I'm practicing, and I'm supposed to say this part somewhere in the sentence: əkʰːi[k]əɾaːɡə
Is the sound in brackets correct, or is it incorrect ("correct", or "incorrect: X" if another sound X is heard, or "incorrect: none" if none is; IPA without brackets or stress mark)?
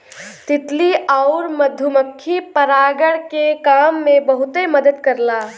incorrect: p